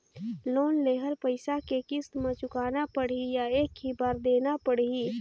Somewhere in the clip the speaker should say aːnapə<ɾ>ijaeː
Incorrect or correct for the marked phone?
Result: incorrect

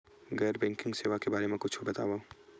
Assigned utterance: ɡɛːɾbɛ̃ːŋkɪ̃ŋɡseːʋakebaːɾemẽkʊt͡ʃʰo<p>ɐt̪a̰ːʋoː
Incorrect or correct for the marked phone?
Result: incorrect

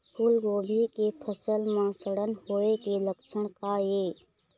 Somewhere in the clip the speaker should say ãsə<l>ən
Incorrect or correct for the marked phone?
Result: incorrect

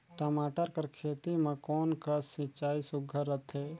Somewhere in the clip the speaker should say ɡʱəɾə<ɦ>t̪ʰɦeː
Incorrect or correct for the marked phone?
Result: incorrect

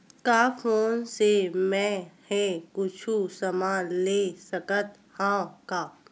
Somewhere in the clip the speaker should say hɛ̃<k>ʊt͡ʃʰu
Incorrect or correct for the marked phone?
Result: correct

